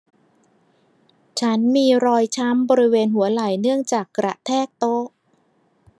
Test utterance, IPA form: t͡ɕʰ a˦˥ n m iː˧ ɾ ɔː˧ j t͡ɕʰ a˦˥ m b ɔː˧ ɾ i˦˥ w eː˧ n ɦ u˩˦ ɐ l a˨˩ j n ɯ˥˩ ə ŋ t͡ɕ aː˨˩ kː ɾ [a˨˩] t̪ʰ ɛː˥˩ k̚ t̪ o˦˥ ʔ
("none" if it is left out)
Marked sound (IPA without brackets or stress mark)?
a˨˩